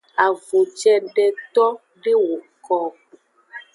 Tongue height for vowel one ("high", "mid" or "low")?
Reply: low